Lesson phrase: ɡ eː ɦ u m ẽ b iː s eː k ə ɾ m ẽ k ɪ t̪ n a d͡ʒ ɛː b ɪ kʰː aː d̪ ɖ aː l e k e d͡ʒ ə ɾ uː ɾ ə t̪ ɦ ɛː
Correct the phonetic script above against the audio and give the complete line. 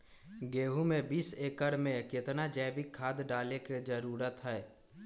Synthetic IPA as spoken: ɡ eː ɦ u m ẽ b iː s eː k ə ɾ m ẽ k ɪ t̪ n a d͡ʒ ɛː b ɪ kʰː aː d̪ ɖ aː l e k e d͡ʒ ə ɾ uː ɾ ə t̪ ɦ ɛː